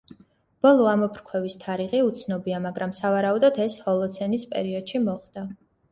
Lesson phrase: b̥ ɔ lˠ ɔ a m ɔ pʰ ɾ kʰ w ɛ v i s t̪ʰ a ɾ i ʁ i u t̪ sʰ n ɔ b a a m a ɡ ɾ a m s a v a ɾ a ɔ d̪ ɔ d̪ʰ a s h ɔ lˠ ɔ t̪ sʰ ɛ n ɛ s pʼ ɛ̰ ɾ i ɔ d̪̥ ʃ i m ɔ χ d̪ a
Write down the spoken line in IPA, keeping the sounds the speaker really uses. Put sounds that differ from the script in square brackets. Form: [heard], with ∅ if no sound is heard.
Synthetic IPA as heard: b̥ ɔ lˠ ɔ a m ɔ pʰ ɾ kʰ w ɛ v i s t̪ʰ a ɾ i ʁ i u t̪ sʰ n ɔ b [i] a m a ɡ ɾ a m s a v a ɾ a [u] d̪ ɔ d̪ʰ [ɛ] s h ɔ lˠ ɔ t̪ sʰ ɛ n [i] s pʼ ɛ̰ ɾ i ɔ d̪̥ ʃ i m ɔ χ d̪ a

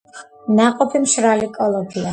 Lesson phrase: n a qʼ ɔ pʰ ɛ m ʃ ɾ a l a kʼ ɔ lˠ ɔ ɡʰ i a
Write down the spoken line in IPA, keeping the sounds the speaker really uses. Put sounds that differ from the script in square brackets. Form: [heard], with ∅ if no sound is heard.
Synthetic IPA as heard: n a qʼ ɔ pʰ [i] m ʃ ɾ a l [i] kʼ ɔ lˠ ɔ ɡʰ i a

